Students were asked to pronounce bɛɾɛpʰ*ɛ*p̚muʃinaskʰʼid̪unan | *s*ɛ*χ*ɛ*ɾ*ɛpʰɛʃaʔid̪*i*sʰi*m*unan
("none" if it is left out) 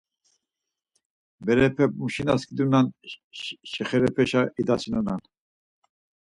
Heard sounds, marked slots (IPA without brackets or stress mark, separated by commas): ɛ, ʃ, χ, ɾ, a, n